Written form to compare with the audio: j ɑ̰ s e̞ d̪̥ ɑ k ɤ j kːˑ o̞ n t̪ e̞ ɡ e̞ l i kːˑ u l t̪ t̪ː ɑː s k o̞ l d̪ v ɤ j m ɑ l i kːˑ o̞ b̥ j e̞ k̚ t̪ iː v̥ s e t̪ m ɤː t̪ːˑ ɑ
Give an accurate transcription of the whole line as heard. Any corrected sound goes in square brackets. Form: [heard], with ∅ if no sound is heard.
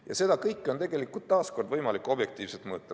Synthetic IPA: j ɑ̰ s e̞ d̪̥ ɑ k ɤ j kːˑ o̞ n t̪ e̞ ɡ e̞ l i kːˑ u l t̪ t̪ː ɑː s k o̞ [r] d̪ v ɤ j m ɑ l i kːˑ o̞ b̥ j e̞ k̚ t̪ iː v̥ s e t̪ m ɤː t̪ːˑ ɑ